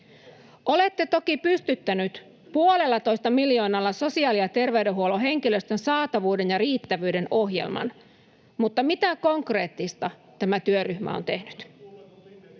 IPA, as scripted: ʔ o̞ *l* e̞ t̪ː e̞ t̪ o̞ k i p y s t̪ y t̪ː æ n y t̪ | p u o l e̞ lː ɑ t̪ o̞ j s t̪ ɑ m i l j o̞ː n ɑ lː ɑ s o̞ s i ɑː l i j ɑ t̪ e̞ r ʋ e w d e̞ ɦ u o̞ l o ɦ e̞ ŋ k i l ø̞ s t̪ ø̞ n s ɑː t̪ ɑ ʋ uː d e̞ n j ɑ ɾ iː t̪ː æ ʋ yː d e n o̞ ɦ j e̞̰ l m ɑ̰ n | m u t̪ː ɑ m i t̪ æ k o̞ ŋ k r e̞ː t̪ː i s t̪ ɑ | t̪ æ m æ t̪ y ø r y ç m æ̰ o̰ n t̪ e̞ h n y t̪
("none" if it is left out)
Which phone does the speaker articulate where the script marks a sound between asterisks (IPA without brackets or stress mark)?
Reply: l